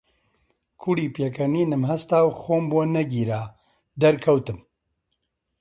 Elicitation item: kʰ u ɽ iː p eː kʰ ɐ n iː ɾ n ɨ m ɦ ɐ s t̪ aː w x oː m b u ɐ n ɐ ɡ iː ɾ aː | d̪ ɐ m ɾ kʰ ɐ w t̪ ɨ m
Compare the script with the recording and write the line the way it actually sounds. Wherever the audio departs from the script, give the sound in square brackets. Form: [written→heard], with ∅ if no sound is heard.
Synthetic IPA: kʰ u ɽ iː p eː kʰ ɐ n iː [ɾ→∅] n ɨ m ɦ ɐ s t̪ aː w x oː m b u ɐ n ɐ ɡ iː ɾ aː | d̪ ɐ [m→∅] ɾ kʰ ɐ w t̪ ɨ m